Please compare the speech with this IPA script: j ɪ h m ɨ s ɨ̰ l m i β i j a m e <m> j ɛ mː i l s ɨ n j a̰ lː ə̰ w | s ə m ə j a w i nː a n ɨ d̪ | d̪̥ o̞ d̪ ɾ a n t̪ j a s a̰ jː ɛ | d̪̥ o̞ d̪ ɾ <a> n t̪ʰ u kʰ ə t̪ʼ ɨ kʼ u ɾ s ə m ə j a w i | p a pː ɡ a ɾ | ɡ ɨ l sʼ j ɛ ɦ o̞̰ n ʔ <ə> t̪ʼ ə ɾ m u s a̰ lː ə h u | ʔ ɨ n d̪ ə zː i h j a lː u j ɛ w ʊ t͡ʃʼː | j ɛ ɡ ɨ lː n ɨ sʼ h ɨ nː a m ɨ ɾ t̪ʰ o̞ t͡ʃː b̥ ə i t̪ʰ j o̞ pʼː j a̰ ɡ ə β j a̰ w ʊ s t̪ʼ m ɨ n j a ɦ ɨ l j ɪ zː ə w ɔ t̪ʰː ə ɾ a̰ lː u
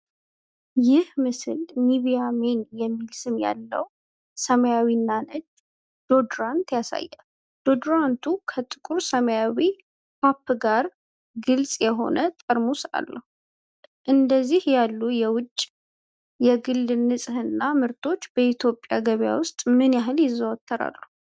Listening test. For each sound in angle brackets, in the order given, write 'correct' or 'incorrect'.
incorrect: n, correct, correct

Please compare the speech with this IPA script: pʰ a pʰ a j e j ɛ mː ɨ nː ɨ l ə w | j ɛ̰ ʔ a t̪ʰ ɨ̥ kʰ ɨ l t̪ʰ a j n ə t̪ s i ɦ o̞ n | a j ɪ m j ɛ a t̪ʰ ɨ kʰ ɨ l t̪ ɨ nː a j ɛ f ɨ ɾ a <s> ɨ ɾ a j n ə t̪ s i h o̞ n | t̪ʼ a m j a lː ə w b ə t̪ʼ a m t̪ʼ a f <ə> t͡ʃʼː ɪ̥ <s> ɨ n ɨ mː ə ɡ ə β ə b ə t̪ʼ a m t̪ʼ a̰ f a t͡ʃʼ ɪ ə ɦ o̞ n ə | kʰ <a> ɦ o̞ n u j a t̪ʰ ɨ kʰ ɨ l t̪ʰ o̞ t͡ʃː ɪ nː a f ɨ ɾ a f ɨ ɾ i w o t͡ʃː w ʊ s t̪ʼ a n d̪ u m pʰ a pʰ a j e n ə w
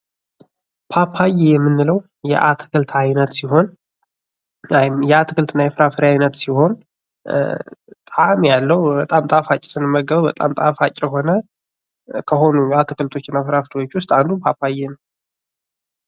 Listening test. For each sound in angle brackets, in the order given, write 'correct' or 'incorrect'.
incorrect: f, incorrect: a, correct, incorrect: ə

